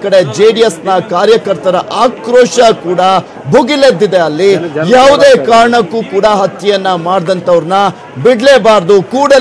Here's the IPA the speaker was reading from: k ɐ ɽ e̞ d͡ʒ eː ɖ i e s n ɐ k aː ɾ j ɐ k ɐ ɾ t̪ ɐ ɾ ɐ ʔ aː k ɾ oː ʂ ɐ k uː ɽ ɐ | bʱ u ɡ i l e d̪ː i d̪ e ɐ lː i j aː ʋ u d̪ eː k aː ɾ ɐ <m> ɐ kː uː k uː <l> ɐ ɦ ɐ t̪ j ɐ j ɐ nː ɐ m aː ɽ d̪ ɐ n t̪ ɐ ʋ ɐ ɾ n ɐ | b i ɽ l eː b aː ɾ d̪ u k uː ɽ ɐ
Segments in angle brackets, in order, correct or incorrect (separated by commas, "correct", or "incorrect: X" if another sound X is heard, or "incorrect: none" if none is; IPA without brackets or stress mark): incorrect: ɳ, incorrect: ɽ